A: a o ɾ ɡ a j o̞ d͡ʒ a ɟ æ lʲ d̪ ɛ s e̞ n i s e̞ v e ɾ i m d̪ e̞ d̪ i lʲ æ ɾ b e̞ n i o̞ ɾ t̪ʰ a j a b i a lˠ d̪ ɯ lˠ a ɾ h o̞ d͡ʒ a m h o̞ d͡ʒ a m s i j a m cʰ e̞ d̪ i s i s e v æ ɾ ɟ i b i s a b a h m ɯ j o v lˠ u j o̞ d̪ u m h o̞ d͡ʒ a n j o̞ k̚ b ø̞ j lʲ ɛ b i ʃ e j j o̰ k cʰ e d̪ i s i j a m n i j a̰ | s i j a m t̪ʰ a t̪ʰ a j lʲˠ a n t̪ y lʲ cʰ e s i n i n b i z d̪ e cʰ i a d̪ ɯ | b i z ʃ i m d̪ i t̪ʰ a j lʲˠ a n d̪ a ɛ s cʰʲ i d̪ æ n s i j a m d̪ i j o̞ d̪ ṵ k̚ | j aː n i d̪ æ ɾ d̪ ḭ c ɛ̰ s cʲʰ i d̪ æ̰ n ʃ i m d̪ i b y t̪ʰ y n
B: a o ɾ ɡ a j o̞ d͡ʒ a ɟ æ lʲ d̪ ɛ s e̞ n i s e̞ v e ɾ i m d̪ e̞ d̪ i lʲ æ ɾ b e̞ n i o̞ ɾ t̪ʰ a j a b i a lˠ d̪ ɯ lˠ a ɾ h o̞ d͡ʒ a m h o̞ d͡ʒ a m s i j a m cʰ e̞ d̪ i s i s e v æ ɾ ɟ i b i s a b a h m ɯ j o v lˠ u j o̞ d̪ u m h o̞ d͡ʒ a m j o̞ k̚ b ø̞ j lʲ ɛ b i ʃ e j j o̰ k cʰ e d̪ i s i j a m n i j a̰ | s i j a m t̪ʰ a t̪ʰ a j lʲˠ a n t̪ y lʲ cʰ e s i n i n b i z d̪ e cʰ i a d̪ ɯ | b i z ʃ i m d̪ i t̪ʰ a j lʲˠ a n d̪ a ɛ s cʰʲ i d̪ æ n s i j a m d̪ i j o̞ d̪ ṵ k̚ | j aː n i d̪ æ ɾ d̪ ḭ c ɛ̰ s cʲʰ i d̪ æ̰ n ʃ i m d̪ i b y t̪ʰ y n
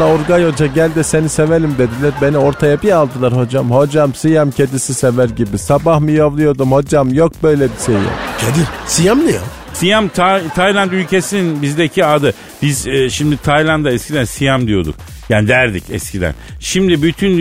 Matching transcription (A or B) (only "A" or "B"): B